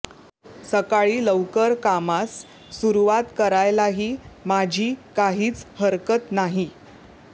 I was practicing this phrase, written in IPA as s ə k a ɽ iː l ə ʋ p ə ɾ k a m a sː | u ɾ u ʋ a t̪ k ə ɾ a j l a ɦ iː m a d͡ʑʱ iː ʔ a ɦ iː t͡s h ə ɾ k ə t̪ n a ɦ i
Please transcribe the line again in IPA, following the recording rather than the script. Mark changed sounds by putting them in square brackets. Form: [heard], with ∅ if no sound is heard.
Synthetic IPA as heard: s ə k a [ɭ] iː l ə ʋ [k] ə ɾ k a m a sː | u ɾ u ʋ a t̪ k ə ɾ a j l a ɦ iː m a d͡ʑʱ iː [k] a ɦ iː t͡s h ə ɾ k ə t̪ n a ɦ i